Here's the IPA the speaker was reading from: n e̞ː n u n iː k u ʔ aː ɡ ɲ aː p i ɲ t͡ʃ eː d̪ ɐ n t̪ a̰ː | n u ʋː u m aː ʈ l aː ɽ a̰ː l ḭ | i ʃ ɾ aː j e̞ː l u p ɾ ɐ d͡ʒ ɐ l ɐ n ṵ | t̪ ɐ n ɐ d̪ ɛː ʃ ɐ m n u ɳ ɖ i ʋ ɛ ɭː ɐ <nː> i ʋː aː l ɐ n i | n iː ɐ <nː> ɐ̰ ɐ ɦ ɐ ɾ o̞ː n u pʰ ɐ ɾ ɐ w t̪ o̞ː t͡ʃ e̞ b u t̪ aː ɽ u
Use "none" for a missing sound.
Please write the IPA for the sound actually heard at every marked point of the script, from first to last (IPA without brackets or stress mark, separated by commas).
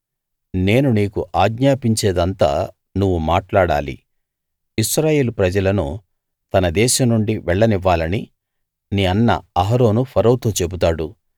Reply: n, nː